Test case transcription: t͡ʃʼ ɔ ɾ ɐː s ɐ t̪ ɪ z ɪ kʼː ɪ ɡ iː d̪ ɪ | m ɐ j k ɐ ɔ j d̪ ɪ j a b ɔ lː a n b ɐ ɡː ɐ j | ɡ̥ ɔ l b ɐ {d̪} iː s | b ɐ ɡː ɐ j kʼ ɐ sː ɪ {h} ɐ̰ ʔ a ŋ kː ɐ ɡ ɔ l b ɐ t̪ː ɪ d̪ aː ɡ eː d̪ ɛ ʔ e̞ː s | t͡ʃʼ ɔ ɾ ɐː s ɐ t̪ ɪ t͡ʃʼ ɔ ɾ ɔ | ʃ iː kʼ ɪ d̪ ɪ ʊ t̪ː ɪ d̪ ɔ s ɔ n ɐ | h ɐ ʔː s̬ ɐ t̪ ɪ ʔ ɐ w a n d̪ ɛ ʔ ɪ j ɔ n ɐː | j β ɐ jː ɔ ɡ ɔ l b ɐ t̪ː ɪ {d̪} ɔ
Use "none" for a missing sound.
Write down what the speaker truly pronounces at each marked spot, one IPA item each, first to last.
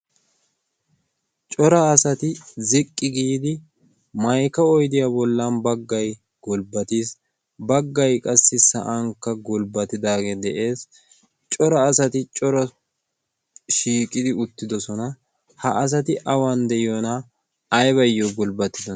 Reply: t̪, s, d̪

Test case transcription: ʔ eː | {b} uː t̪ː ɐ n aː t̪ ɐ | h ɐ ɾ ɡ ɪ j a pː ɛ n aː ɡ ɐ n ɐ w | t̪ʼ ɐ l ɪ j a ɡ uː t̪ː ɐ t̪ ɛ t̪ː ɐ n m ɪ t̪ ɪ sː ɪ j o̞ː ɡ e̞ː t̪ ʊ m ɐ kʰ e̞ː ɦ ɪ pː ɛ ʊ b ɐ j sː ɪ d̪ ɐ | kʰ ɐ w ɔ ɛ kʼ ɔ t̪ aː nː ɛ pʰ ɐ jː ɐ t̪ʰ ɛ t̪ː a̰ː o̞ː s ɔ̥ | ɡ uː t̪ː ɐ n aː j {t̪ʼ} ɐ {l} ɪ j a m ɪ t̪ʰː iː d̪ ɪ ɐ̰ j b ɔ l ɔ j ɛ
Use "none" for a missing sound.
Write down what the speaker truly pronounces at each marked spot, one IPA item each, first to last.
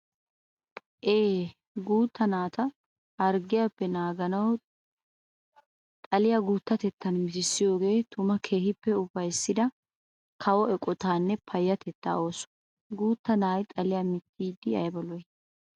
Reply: ɡ, t̪ʼ, l

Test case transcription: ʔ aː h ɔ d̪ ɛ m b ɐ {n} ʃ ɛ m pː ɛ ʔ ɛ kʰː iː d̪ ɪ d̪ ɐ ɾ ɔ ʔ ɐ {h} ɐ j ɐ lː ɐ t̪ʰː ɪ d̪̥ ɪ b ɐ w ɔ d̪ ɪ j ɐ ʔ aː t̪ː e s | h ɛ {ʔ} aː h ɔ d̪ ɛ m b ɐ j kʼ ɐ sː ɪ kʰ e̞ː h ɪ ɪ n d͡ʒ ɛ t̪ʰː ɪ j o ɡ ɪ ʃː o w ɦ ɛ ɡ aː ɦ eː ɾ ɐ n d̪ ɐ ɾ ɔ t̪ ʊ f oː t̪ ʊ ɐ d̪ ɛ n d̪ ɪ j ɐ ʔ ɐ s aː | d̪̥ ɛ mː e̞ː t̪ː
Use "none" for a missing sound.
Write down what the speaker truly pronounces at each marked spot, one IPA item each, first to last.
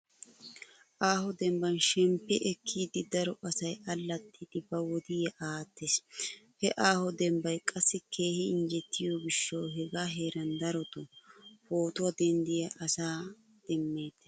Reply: n, s, ʔ

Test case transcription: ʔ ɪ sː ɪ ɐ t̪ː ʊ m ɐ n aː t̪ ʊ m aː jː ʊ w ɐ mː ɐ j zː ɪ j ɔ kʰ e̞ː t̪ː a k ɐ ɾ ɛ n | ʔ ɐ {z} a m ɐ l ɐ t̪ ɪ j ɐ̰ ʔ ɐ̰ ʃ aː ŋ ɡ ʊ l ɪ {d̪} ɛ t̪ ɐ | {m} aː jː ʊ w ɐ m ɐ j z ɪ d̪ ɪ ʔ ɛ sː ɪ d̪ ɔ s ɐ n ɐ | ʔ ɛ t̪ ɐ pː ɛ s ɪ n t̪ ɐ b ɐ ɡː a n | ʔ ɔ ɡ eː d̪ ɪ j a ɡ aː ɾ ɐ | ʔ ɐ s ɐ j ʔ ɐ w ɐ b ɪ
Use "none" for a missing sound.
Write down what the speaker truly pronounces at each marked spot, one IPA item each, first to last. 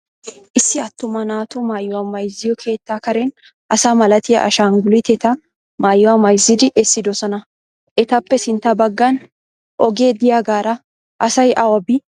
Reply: s, t̪, m

